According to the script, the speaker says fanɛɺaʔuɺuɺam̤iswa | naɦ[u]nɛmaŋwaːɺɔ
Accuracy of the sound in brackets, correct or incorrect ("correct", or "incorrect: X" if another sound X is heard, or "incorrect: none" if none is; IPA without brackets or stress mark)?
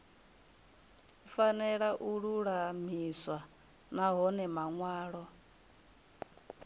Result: incorrect: ɔ